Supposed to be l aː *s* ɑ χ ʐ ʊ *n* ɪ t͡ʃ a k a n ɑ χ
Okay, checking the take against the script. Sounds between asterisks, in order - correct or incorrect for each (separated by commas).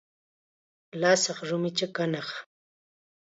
correct, incorrect